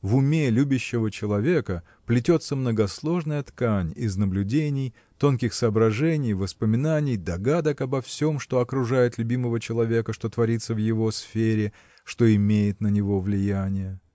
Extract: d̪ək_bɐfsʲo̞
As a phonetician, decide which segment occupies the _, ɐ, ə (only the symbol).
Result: ɐ